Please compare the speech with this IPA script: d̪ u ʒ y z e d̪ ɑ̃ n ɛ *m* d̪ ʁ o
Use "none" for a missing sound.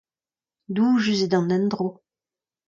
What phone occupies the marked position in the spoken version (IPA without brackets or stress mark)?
n